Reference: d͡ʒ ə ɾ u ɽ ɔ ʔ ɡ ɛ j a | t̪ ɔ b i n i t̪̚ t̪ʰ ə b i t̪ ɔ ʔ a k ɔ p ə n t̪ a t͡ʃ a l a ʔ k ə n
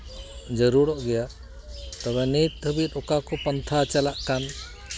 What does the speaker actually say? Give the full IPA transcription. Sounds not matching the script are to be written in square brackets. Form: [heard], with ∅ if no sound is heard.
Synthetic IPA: d͡ʒ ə ɾ u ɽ ɔ ʔ ɡ ɛ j a | t̪ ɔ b [ɛ] n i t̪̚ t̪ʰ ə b i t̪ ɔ [k] a k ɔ p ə n [t̪ʰ] a t͡ʃ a l a ʔ k [a] n